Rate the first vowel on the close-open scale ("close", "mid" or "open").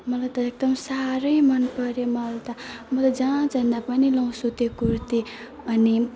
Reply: mid